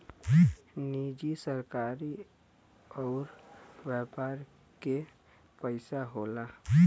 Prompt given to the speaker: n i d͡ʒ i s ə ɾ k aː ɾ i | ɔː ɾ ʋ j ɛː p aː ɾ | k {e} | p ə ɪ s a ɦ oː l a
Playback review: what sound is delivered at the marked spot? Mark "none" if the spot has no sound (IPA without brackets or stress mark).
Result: e